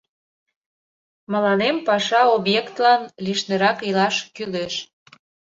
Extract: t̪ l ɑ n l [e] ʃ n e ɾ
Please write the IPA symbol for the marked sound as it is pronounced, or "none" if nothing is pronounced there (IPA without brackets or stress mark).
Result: i